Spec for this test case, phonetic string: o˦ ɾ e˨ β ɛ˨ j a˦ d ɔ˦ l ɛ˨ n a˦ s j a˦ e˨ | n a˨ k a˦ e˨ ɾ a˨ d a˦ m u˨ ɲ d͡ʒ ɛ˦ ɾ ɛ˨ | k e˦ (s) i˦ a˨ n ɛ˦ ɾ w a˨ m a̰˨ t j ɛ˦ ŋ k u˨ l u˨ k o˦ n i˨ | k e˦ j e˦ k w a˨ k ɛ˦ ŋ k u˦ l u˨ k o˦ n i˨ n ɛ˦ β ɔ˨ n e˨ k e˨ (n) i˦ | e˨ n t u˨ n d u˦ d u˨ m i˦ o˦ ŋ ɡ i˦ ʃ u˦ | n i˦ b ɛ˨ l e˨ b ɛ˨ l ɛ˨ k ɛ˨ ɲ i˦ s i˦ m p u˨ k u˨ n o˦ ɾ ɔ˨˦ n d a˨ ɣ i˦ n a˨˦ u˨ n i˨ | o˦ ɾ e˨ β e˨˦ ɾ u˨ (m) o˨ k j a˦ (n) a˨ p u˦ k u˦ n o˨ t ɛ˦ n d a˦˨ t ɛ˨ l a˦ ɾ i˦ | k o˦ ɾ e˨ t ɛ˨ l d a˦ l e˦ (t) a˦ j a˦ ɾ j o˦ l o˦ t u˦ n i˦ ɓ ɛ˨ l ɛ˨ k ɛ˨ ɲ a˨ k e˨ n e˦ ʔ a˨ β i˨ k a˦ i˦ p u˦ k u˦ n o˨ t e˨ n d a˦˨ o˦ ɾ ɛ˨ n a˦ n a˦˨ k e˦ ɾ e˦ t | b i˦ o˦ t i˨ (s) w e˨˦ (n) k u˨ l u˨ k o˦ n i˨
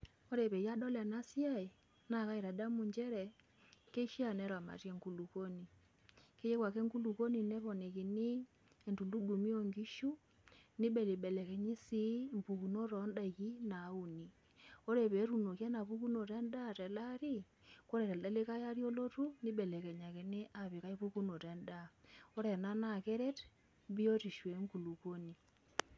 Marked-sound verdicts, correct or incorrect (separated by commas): incorrect, correct, incorrect, correct, incorrect, incorrect, incorrect